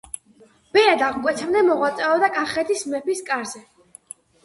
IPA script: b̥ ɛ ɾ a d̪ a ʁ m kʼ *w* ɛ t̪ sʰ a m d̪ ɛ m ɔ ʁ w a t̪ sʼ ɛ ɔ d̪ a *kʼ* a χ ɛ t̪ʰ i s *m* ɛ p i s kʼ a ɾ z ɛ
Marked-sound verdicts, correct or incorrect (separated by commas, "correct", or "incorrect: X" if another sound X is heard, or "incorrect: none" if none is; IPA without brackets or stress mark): correct, correct, correct